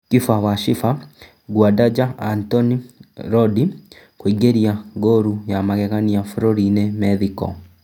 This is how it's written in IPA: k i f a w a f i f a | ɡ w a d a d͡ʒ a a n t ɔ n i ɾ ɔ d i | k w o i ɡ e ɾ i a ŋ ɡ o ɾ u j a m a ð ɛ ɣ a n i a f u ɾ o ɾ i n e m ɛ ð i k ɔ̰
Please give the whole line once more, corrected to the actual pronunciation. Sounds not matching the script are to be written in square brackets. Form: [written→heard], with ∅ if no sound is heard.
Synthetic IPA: k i f a w a [f→ʃ] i f a | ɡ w a d a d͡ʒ a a n t ɔ n i ɾ ɔ d i | k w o i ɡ e ɾ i a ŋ ɡ o ɾ u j a m a [ð→ɣ] ɛ ɣ a n i a f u ɾ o ɾ i n e m ɛ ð i k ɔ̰

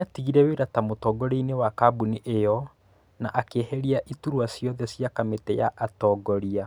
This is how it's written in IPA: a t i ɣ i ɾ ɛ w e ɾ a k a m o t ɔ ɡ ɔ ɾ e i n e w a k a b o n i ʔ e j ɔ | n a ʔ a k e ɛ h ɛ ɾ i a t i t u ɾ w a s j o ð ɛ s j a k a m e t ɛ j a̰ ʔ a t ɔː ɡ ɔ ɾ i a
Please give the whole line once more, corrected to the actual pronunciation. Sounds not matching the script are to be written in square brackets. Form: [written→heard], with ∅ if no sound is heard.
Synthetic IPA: a t i ɣ i ɾ ɛ w e ɾ a [k→t] a m o t ɔ ɡ ɔ ɾ e i n e w a k a b [o→u] n i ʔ e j ɔ | n a ʔ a k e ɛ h ɛ ɾ i a [t→ʔ] i t u ɾ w a s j [o→ɔ] ð ɛ s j a k a m e t ɛ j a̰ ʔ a t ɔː ɡ ɔ ɾ i a

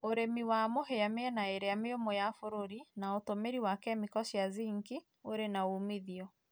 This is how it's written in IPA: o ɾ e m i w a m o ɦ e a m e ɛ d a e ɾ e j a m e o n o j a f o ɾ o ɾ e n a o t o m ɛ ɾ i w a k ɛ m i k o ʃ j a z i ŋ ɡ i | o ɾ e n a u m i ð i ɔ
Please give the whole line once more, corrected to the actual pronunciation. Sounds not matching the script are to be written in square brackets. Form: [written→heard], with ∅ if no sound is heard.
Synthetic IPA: o ɾ e m i w a m o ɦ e a m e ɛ [d→n] a e ɾ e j a m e o [n→m] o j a f o ɾ o ɾ [e→i] n a o t o m [ɛ→e] ɾ i w a k ɛ m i k [o→ɔ] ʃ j a z i ŋ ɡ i | o ɾ e n a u m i ð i ɔ

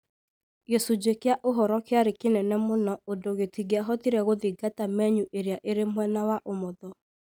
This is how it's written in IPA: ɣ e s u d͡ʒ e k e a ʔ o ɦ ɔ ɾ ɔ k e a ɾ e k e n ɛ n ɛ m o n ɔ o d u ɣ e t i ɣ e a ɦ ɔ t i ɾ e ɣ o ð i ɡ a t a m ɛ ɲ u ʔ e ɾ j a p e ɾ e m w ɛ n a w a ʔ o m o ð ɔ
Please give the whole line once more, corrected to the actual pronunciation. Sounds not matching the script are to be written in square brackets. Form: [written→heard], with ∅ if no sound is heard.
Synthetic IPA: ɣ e s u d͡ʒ e k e a ʔ o ɦ ɔ ɾ ɔ k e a ɾ e k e n ɛ n ɛ m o n ɔ o d [u→o] ɣ e t i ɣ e a ɦ ɔ t i ɾ [e→ɛ] ɣ o ð i ɡ a t a m ɛ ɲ u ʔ e ɾ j a [p→ʔ] e ɾ e m w ɛ n a w a ʔ o m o ð ɔ

